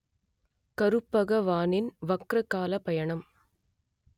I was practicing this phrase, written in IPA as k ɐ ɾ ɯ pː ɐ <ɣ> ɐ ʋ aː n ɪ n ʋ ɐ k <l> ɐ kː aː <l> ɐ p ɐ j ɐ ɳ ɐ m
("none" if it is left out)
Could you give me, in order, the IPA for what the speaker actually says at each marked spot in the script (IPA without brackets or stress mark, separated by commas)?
ɣ, ɾ, l